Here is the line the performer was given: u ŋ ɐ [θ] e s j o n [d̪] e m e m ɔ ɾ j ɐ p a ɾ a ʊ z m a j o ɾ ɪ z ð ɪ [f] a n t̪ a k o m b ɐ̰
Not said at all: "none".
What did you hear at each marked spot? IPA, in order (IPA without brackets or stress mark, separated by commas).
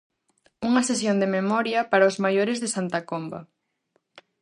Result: s, d̪, s